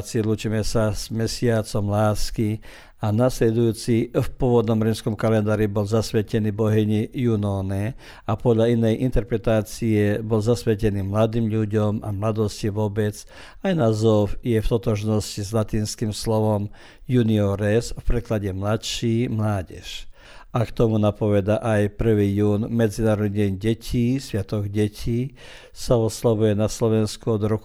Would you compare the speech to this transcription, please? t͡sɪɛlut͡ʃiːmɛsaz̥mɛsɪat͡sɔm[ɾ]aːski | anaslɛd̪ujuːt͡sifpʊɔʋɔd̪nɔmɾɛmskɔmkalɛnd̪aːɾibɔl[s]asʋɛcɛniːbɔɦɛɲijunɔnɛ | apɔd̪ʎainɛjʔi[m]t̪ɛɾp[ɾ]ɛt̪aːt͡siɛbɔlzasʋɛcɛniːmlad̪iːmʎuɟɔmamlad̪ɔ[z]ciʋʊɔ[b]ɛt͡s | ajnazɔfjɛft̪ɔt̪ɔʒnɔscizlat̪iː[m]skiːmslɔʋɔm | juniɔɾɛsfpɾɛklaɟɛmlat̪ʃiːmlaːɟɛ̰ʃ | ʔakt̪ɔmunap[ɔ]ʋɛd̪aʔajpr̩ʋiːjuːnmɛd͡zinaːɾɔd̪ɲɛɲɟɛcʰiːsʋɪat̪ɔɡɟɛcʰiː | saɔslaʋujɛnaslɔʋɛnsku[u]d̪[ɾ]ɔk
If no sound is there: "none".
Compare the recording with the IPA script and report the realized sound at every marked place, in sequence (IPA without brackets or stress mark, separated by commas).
l, z, n, ɾ, s, b, n, ɔ, ɔ, ɾ